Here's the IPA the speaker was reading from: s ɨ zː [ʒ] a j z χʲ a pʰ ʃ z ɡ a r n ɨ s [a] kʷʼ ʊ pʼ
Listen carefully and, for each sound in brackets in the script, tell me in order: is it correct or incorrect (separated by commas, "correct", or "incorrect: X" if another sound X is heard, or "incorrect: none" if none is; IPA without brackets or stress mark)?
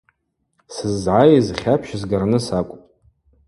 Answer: incorrect: ʕ, correct